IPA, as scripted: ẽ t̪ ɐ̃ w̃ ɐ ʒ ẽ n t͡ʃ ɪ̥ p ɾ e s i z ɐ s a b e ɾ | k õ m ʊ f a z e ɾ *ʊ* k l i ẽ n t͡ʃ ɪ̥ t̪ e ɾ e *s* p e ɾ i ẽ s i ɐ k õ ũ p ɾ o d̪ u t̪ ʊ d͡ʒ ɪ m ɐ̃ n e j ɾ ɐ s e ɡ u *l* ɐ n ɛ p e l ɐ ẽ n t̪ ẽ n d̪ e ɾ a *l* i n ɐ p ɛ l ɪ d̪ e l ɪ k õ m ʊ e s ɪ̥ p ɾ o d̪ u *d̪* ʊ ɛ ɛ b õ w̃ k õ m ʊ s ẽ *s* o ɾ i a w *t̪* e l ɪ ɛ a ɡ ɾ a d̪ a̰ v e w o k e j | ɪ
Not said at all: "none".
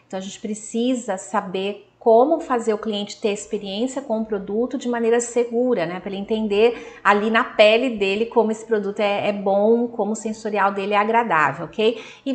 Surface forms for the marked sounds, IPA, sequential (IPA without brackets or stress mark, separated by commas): ʊ, s, ɾ, l, t̪, s, d̪